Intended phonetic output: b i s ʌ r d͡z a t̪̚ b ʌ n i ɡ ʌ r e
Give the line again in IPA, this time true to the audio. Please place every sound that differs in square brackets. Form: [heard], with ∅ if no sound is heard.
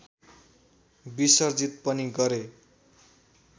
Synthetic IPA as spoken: b i s ʌ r d͡z [i] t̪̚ [p] ʌ n i ɡ ʌ [ɾ] e